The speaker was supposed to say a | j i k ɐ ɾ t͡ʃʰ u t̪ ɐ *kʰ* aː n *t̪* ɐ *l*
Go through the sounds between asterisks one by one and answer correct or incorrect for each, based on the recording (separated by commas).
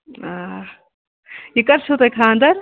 correct, incorrect, incorrect